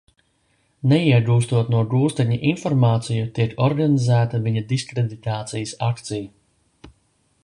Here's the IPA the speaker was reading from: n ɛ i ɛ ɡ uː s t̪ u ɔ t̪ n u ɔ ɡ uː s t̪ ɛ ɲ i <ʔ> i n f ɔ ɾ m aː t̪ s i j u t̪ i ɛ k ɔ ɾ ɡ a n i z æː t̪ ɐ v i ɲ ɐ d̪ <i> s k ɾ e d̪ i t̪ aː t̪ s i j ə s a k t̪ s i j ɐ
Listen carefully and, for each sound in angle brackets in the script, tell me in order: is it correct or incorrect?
correct, correct

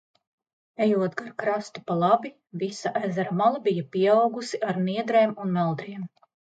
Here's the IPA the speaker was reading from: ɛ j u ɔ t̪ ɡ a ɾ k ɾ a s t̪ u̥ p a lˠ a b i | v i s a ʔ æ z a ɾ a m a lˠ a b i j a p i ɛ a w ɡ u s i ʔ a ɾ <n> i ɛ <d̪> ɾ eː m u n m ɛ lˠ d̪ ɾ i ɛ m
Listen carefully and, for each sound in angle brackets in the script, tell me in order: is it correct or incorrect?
correct, correct

